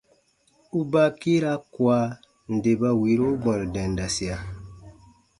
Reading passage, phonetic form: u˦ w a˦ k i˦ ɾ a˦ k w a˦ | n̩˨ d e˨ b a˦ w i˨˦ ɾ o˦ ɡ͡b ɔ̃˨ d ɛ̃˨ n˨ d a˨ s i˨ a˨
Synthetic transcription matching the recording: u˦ b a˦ k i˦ ɾ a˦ k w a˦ | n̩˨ d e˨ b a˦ w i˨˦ ɾ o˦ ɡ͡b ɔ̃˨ d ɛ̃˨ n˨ d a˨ s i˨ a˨